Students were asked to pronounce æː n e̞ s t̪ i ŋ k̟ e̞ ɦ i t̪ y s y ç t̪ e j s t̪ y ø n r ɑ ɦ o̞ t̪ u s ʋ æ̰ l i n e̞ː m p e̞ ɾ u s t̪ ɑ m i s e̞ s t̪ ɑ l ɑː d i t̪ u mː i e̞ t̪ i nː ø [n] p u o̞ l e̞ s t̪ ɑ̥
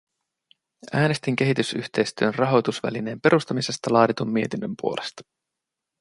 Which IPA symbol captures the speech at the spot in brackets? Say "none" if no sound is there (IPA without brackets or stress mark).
m